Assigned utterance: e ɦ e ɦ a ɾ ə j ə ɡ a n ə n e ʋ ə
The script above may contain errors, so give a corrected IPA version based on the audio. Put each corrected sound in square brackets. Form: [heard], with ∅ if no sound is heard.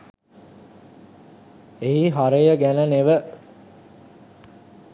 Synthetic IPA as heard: e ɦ [i] ɦ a ɾ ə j ə ɡ [æ] n ə n e ʋ ə